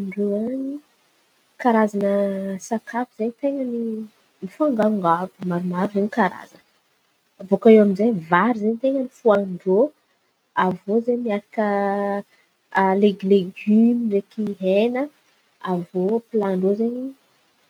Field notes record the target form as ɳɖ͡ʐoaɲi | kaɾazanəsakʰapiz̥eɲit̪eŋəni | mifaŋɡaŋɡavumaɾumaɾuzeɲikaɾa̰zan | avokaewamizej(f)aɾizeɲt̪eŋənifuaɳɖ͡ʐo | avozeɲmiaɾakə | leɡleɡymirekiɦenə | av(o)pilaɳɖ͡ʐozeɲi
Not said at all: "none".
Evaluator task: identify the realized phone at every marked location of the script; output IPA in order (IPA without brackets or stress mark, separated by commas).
v, o